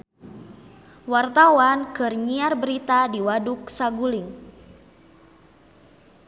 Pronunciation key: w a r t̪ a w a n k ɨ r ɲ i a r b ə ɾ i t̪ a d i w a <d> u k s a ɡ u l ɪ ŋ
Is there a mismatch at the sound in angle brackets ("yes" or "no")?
no